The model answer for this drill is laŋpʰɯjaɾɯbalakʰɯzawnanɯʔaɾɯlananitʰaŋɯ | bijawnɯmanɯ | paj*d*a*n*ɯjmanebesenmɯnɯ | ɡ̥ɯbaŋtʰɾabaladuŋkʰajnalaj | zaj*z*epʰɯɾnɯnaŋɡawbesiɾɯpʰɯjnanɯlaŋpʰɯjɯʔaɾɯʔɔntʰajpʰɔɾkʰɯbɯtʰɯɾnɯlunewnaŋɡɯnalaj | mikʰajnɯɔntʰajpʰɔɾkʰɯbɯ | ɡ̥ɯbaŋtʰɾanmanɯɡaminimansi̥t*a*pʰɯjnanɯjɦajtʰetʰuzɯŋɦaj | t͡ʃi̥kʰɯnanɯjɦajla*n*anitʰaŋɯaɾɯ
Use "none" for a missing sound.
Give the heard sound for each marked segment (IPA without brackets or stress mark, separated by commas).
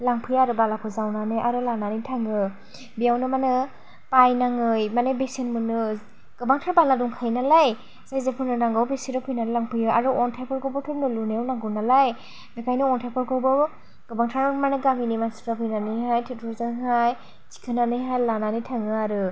n, ŋ, z, a, n